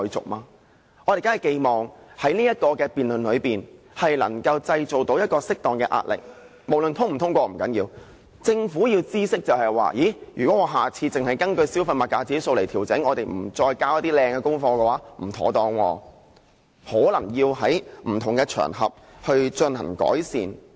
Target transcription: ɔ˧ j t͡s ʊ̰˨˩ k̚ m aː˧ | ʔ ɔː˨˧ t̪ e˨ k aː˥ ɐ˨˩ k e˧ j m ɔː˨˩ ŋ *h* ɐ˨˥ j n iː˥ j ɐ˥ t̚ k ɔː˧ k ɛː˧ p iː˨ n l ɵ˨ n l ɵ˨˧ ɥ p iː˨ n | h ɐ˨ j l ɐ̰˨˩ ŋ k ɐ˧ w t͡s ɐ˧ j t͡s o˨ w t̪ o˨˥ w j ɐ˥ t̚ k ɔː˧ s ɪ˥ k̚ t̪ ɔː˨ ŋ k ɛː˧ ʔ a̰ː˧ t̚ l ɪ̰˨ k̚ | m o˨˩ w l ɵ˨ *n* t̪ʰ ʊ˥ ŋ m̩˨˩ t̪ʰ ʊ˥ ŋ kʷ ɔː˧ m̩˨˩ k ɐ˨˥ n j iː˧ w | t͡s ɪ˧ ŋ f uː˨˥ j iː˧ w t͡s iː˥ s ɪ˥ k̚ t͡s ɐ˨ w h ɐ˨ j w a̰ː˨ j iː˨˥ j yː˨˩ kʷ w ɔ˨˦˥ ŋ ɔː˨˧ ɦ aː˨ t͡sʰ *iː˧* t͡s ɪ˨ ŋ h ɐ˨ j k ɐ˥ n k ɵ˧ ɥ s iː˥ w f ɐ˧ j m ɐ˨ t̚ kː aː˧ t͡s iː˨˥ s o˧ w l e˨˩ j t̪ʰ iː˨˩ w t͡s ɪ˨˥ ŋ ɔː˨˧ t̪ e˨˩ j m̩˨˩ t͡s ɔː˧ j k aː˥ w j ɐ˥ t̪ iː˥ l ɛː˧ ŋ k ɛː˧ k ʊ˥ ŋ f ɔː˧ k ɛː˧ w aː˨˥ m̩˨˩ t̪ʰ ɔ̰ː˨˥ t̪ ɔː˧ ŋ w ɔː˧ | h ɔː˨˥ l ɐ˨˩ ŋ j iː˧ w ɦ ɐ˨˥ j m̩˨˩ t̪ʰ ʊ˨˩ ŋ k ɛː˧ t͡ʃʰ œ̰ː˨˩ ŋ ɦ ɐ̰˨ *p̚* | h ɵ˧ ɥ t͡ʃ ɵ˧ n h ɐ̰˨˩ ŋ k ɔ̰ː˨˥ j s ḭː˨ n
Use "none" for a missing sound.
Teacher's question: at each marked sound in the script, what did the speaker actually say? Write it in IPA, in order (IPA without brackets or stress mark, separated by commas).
h, n, iː˧, p̚